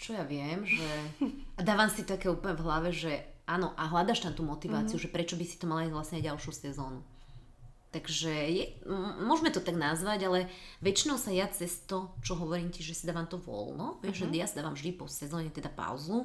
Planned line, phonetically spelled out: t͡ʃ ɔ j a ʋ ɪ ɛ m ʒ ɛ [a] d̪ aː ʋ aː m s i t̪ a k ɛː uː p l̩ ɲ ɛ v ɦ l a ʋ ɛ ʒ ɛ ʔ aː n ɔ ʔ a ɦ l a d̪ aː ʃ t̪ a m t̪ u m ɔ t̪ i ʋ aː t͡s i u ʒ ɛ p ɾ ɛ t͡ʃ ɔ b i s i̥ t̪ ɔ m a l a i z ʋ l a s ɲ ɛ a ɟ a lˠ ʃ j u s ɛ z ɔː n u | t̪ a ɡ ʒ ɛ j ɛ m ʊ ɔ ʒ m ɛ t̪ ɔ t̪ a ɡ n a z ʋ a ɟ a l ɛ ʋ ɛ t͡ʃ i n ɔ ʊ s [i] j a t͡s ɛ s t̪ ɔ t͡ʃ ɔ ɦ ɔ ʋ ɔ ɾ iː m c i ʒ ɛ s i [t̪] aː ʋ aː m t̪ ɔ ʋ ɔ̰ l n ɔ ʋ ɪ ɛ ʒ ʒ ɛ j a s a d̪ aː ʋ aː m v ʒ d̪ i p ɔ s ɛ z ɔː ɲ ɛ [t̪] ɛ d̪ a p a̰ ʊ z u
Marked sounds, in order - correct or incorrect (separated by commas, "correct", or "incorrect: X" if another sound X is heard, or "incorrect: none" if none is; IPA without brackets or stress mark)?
correct, incorrect: a, incorrect: d̪, correct